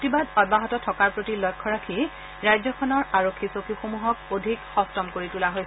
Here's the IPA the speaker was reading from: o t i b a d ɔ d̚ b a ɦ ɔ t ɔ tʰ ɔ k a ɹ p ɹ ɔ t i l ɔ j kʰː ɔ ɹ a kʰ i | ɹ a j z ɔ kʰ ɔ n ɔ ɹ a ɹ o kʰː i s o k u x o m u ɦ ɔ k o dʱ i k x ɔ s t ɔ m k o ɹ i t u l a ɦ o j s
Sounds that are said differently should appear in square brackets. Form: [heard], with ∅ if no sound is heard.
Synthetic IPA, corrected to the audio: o t i b a d ɔ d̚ b a ɦ ɔ t ɔ tʰ ɔ k a ɹ p ɹ [o] t i l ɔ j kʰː ɔ ɹ a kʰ i | ɹ a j z ɔ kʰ ɔ n ɔ ɹ a ɹ o kʰː i s o k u x o m u ɦ ɔ k o dʱ i k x ɔ s t ɔ m k o ɹ i t u l a ɦ o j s